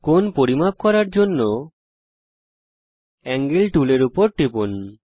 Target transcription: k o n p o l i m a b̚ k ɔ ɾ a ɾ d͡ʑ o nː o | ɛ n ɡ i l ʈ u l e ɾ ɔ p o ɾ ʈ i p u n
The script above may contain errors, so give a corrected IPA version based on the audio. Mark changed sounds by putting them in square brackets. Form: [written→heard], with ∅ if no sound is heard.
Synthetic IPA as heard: k o n p o [l→ɾ] i m a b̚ k ɔ ɾ a ɾ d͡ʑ o nː o | ɛ [n→ŋ] ɡ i l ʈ u l e ɾ [ɔ→u] p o ɾ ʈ i p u n